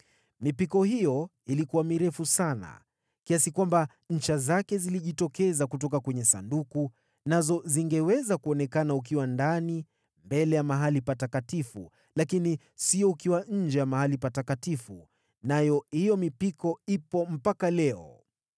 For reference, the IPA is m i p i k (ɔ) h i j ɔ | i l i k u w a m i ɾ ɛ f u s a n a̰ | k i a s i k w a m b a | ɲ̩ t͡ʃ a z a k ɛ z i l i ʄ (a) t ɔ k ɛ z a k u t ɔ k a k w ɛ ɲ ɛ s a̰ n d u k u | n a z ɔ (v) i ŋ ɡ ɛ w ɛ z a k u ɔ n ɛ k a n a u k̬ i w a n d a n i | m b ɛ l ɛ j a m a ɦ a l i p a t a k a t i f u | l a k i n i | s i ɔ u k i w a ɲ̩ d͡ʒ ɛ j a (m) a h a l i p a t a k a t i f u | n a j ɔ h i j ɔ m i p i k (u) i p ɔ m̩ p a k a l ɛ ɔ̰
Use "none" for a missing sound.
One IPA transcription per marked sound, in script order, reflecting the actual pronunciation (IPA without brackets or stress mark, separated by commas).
ɔ, i, z, m, ɔ